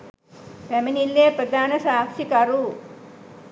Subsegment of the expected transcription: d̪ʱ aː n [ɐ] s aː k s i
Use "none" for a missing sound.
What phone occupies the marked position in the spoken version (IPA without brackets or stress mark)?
ɐ